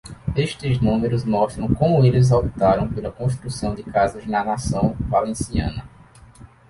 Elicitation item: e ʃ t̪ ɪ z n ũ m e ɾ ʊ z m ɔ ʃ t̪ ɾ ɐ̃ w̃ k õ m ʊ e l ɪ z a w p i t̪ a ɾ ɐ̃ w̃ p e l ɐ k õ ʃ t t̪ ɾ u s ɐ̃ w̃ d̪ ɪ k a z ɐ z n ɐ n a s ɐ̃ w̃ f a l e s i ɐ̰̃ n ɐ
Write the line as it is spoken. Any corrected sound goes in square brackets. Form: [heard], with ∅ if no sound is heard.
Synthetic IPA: e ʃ t̪ ɪ z n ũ m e ɾ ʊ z m ɔ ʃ t̪ ɾ ɐ̃ w̃ k õ m ʊ e l ɪ z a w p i t̪ a ɾ ɐ̃ w̃ p e l ɐ k õ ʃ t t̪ ɾ u s ɐ̃ w̃ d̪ ɪ k a z ɐ z n ɐ n a s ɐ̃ w̃ [v] a l [ẽ] s i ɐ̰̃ n ɐ